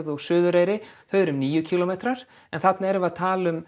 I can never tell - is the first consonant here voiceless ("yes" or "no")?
no